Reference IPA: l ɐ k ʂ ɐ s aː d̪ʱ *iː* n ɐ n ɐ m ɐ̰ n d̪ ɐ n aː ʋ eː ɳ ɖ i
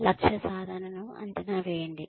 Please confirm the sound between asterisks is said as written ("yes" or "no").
no